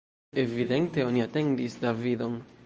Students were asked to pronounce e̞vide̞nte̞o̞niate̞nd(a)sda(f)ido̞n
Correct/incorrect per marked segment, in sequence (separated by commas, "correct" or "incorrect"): incorrect, incorrect